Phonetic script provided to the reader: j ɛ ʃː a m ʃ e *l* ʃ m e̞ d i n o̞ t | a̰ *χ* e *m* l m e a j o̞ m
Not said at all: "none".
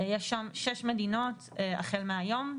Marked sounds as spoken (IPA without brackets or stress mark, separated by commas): none, χ, none